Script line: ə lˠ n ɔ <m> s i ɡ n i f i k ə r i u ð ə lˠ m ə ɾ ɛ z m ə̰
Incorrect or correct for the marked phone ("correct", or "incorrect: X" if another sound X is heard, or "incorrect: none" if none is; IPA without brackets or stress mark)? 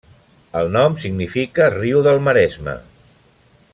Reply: correct